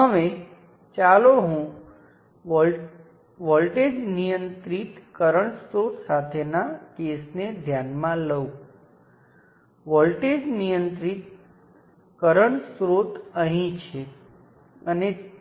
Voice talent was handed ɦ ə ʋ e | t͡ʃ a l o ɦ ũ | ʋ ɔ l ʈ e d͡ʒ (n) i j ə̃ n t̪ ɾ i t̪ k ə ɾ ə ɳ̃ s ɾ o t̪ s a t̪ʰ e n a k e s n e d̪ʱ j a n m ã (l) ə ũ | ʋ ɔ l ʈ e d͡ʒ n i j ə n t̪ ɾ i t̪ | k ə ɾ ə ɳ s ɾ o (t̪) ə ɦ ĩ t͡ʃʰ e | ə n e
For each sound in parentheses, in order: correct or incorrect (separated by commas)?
correct, correct, correct